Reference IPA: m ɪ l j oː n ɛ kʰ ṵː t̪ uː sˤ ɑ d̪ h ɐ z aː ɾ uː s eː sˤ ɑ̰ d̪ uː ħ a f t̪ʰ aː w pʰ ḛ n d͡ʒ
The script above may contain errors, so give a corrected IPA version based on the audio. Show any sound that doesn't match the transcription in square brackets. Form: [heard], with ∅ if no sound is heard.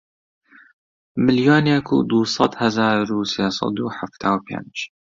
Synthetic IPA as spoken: m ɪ l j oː n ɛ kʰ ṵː [d̪] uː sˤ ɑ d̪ h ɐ z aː ɾ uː s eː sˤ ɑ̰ d̪ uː ħ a f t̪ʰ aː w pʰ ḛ n d͡ʒ